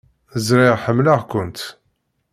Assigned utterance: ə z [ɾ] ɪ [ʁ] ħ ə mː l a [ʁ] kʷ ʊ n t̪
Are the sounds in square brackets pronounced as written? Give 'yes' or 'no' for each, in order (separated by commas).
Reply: yes, yes, yes